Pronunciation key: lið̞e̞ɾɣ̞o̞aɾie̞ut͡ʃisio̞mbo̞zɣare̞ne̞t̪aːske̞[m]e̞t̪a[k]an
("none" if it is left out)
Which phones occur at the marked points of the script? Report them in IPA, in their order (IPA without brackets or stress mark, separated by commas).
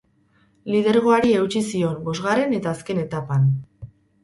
n, p